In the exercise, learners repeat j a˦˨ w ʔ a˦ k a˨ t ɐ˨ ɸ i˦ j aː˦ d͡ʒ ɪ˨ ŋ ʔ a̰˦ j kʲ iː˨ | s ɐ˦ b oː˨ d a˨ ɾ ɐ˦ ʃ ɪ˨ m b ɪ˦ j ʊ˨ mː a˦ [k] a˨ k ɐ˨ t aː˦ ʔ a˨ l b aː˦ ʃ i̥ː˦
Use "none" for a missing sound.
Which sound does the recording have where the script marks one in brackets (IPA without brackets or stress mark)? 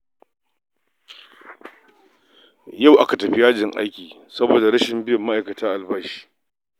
ʔ